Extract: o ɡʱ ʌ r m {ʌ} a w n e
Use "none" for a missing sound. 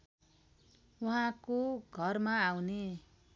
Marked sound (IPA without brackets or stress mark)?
a